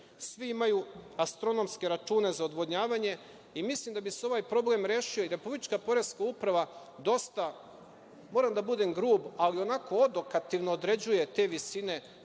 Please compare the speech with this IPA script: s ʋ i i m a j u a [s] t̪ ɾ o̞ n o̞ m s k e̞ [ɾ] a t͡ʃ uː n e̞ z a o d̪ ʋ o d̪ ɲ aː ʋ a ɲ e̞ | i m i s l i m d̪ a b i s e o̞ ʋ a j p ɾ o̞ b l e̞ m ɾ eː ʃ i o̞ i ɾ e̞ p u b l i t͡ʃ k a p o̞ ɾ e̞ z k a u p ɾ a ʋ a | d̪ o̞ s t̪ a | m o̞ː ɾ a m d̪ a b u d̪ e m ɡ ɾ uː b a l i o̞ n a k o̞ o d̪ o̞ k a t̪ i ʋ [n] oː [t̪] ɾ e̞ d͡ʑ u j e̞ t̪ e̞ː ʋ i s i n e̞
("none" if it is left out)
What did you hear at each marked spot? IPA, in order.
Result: s, ɾ, n, d̪

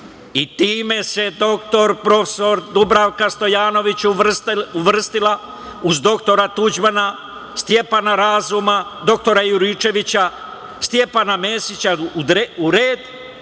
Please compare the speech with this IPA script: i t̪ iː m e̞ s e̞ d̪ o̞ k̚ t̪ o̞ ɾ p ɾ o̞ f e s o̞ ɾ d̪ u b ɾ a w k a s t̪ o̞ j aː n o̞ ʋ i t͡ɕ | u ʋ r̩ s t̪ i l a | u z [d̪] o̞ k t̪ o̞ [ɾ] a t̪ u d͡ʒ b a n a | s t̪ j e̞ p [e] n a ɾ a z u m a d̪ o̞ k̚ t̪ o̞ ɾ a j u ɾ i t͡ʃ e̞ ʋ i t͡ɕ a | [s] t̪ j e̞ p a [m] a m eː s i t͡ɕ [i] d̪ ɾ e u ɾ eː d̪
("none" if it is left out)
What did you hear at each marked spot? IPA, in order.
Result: d̪, ɾ, a, s, n, a

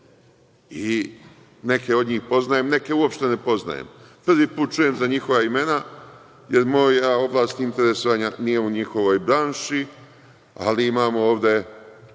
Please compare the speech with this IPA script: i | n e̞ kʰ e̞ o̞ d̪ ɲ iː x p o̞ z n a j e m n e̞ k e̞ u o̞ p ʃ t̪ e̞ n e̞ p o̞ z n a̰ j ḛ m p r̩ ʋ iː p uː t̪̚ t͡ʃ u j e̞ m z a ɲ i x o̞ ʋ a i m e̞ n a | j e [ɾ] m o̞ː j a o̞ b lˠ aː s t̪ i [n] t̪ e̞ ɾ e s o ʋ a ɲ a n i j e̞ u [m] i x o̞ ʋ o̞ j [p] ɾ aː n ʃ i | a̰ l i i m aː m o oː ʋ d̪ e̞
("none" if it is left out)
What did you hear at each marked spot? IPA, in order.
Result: ɾ, n, ɲ, b

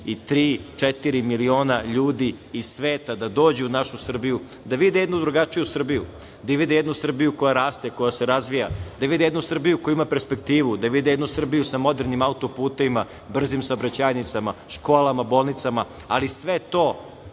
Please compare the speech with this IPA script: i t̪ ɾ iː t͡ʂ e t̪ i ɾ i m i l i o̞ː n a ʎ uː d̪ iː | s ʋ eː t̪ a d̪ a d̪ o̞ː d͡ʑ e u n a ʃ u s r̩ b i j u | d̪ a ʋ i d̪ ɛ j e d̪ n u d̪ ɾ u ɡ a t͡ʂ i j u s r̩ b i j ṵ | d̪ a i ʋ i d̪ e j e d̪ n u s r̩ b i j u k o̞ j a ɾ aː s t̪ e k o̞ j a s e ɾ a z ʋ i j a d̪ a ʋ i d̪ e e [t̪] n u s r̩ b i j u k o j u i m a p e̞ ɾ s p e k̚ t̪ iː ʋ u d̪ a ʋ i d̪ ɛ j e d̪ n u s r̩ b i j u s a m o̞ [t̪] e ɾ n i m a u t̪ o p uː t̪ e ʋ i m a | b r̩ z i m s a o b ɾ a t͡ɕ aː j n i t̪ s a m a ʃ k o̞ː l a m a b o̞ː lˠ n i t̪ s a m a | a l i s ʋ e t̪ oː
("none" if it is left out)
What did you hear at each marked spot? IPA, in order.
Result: d̪, d̪

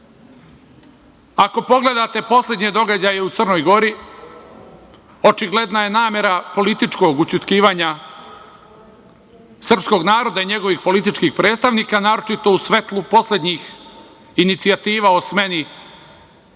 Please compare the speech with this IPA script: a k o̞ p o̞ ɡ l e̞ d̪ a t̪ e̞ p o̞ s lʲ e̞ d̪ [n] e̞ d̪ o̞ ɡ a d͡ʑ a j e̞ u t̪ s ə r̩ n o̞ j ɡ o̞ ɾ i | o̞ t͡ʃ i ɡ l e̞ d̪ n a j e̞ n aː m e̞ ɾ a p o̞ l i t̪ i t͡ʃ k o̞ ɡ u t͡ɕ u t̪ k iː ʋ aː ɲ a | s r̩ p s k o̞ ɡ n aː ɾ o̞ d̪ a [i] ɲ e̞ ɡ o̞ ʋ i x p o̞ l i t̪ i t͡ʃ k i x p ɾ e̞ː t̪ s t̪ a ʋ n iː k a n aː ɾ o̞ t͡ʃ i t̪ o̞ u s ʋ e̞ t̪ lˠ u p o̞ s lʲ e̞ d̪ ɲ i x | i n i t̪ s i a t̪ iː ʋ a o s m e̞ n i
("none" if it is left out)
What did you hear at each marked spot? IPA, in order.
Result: ɲ, i

